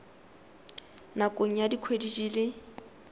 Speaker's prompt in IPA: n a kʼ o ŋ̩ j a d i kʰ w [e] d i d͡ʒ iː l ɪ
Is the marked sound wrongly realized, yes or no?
no